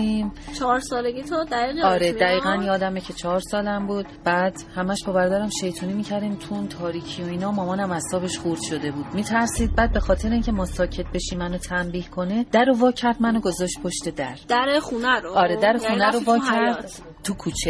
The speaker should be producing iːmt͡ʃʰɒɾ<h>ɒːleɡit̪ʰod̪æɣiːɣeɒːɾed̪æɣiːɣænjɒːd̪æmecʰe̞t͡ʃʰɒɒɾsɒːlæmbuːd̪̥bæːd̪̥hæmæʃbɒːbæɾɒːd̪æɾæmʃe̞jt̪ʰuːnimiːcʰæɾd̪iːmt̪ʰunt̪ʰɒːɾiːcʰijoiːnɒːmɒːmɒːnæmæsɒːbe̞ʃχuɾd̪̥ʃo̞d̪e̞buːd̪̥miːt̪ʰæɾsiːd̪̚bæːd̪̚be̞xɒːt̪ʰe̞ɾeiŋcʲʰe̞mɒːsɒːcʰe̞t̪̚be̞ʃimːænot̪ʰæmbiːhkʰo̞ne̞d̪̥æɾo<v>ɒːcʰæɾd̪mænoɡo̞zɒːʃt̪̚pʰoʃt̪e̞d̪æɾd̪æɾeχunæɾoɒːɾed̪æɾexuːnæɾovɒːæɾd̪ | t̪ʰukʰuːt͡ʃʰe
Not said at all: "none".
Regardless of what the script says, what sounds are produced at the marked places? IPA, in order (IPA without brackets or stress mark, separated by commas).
s, v